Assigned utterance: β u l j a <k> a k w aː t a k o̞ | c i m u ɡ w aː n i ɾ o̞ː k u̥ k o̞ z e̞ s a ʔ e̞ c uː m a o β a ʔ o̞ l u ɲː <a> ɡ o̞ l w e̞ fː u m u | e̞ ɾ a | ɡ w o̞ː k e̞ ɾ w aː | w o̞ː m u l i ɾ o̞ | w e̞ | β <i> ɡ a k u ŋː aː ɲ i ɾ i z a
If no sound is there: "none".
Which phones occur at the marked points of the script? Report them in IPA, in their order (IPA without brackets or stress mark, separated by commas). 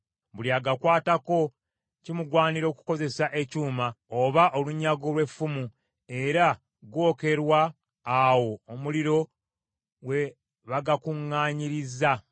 ɡ, a, a